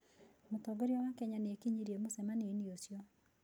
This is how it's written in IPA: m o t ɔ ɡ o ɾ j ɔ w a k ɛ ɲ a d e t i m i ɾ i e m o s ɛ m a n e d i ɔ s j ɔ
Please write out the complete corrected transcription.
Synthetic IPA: m o t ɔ ɡ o ɾ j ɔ w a k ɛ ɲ a n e k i ɲ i ɾ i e m o s ɛ m a n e n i o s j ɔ